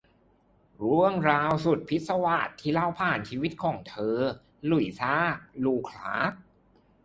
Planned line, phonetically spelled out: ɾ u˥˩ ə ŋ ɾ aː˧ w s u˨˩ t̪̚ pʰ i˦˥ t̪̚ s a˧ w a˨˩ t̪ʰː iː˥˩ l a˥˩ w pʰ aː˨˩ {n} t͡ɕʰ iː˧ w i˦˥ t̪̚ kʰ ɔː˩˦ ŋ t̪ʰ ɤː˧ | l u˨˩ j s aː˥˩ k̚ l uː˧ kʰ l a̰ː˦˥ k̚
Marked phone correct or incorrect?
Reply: correct